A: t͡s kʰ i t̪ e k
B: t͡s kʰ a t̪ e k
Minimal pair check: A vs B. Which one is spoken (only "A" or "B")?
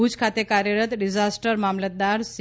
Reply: B